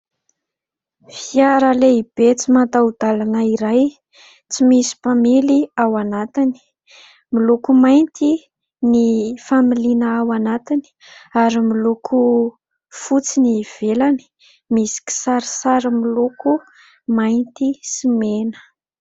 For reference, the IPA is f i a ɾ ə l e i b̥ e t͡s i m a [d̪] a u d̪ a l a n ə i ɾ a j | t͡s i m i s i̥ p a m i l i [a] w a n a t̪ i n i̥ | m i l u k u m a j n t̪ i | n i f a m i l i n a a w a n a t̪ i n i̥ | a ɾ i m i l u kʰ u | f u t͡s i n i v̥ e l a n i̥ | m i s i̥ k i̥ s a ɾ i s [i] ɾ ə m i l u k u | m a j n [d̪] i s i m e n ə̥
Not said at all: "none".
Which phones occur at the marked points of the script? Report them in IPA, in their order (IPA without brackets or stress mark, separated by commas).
t̪, a, a, t̪